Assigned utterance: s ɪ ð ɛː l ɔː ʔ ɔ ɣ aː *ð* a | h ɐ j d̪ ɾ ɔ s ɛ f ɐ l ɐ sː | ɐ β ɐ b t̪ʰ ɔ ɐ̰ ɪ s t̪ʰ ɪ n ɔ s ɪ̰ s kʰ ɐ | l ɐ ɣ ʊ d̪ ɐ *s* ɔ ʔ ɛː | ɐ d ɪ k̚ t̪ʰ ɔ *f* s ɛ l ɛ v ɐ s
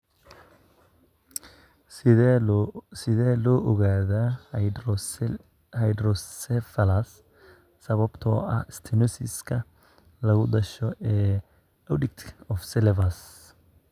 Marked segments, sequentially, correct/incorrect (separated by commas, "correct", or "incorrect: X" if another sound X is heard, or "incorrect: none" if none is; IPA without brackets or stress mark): correct, incorrect: ʃ, correct